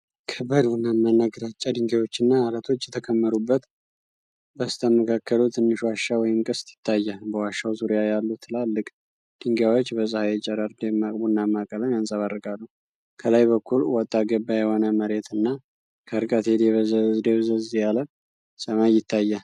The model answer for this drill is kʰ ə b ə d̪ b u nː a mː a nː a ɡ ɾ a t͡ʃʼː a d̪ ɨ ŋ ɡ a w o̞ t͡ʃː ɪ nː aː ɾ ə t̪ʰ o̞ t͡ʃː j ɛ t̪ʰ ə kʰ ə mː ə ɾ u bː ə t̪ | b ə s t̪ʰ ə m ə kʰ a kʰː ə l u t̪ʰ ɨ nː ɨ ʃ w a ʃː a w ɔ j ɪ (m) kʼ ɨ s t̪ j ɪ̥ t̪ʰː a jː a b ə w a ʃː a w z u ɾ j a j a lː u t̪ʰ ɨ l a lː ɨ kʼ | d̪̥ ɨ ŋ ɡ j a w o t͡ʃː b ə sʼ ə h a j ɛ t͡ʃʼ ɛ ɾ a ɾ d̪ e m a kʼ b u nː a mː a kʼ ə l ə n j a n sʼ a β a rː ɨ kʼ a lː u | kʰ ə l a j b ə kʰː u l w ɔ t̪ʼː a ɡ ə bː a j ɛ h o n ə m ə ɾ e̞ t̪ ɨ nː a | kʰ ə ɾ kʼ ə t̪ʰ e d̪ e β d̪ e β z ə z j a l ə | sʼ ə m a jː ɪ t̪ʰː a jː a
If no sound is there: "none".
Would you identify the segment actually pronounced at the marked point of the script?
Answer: m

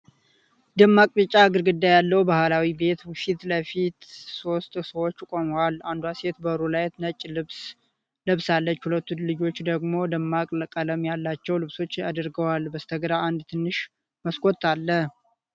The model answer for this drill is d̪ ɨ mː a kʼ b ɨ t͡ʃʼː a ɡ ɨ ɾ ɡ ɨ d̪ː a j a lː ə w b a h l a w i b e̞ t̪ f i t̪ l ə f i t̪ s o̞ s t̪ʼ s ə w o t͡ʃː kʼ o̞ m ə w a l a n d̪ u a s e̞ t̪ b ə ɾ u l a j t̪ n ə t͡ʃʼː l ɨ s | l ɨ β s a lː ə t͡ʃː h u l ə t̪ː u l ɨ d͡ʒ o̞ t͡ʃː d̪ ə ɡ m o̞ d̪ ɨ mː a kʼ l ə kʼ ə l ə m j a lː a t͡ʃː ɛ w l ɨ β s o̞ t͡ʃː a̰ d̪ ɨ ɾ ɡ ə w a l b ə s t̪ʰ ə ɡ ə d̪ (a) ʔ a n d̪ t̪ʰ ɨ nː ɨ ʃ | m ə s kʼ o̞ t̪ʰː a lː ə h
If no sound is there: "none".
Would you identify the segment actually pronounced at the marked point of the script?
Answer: a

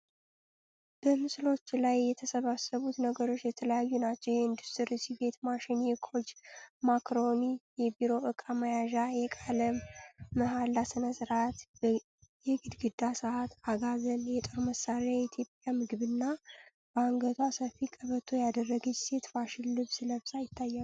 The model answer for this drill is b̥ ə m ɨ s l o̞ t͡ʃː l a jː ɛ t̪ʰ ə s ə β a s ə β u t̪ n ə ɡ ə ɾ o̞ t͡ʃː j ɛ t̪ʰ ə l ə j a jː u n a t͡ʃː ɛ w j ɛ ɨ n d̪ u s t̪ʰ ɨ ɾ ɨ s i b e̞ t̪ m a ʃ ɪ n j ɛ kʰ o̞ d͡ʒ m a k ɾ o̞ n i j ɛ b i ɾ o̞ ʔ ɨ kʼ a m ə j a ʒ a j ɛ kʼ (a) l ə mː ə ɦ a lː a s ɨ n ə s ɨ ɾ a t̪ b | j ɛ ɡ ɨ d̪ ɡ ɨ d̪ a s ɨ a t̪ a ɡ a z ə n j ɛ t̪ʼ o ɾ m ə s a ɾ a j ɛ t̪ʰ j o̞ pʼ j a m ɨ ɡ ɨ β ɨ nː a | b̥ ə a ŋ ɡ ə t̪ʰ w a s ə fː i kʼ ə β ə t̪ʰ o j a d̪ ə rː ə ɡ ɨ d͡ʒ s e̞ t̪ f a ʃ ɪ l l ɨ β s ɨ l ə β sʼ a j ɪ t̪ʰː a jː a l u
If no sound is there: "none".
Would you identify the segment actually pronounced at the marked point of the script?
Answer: a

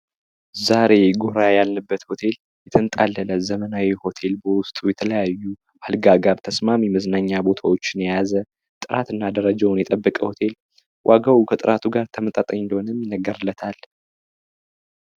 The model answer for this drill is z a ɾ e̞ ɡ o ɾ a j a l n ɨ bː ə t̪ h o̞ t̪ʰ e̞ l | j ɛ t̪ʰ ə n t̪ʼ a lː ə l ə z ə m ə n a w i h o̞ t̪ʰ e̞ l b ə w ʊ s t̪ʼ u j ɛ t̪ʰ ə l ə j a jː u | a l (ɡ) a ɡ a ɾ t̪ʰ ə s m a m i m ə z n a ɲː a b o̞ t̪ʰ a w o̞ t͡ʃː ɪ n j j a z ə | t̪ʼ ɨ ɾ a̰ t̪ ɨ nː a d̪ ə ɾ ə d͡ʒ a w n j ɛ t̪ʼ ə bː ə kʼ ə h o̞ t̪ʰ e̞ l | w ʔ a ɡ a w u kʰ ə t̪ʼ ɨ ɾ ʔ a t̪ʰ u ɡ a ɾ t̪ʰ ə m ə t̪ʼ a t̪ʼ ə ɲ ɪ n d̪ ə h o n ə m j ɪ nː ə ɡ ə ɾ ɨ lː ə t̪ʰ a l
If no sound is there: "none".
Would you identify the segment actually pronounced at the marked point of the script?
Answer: ɡ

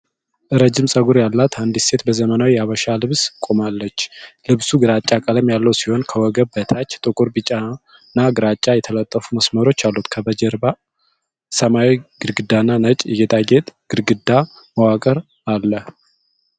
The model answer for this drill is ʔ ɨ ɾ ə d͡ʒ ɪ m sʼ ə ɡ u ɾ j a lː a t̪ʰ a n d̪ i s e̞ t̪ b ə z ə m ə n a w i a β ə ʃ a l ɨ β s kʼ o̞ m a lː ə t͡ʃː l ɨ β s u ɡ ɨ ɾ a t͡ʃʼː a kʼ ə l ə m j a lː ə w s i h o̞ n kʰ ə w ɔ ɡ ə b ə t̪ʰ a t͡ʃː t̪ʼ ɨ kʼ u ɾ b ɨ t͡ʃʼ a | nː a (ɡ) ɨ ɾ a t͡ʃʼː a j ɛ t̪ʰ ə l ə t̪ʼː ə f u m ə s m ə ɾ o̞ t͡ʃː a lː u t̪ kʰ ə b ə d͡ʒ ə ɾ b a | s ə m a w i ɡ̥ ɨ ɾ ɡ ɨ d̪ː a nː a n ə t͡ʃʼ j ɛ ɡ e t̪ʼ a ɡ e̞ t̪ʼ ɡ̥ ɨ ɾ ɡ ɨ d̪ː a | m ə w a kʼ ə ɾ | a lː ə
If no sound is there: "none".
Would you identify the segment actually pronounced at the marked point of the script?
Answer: ɡ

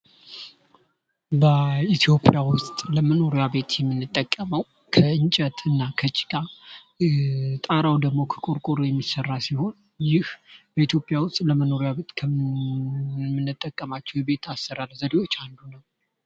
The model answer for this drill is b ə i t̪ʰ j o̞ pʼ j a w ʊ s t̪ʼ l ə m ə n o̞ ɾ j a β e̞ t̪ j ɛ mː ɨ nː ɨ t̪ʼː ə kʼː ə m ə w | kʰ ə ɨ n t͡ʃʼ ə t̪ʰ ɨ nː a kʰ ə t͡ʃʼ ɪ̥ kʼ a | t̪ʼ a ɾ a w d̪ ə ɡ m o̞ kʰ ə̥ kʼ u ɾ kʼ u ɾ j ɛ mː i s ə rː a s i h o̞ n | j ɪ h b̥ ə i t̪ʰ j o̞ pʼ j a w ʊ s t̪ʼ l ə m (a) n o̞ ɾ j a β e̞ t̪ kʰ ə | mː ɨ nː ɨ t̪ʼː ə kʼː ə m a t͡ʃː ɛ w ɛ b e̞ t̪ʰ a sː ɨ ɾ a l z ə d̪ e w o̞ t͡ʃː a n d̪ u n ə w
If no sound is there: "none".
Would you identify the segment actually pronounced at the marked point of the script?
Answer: ə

